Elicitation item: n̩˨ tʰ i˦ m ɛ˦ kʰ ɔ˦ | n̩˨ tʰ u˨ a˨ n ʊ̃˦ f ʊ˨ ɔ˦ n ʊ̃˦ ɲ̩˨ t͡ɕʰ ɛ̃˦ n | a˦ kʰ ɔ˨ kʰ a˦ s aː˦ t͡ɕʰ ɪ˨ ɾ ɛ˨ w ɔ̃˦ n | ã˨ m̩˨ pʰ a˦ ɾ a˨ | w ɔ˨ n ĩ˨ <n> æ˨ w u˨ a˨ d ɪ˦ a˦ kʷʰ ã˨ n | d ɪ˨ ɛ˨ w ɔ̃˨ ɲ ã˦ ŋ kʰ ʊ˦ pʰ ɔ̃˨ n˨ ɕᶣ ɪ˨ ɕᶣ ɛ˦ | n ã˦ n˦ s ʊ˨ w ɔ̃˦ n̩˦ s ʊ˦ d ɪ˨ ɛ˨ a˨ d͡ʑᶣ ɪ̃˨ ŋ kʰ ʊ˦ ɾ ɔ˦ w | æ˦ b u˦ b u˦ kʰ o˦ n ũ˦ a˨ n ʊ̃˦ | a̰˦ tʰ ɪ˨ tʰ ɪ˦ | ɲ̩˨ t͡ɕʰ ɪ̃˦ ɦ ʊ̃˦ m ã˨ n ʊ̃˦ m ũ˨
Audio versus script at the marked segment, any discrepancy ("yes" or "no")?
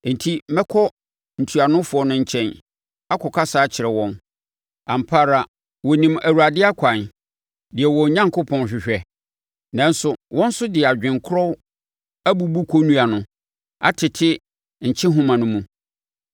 yes